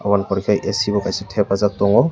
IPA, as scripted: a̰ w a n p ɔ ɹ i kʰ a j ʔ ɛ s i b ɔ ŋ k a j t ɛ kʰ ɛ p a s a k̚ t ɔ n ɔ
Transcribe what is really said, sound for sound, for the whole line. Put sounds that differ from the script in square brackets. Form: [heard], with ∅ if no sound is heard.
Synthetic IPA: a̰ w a n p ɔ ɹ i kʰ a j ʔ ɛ s i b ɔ [∅] k a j [s] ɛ [tʰ] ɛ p a [z] a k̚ t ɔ [ŋ] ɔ